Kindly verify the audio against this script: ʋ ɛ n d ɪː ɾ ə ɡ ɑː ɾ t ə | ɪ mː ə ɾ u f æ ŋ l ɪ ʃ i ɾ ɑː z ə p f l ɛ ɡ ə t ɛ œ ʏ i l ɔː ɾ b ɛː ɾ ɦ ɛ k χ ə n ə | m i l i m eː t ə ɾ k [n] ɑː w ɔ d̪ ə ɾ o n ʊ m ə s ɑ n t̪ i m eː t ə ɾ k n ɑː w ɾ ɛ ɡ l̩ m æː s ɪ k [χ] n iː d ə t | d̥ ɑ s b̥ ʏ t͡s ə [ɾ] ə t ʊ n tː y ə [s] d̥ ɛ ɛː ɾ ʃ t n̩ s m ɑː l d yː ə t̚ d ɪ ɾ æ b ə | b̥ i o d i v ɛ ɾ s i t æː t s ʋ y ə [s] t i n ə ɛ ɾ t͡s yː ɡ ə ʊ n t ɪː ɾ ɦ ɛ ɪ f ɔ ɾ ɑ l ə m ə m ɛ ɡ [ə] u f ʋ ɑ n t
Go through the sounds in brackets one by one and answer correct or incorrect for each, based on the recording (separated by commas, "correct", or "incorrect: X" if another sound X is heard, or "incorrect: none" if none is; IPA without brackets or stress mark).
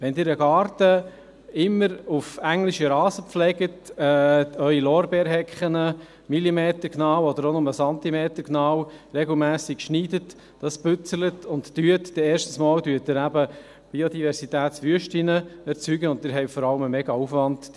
correct, incorrect: ʃ, incorrect: l, incorrect: t, incorrect: ʃ, incorrect: ɑ